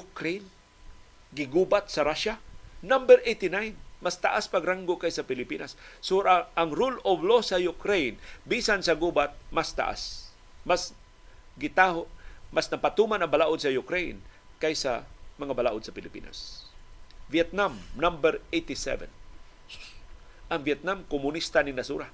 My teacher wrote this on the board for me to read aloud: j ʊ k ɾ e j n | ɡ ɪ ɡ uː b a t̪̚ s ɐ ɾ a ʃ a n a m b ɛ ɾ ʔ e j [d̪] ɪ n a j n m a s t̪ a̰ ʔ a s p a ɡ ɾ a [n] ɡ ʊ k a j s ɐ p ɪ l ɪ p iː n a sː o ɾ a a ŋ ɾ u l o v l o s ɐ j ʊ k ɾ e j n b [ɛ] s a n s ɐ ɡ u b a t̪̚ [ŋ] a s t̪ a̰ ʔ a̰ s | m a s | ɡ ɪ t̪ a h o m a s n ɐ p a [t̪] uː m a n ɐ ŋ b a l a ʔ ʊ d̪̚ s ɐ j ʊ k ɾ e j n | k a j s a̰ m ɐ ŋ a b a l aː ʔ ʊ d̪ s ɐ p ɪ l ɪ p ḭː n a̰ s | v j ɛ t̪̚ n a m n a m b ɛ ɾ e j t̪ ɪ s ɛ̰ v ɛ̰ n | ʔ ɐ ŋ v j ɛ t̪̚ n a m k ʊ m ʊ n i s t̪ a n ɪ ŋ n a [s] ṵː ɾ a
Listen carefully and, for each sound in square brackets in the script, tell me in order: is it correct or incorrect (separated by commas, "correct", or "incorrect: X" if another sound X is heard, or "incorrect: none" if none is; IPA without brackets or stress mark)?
incorrect: t̪, incorrect: ŋ, incorrect: i, incorrect: m, correct, correct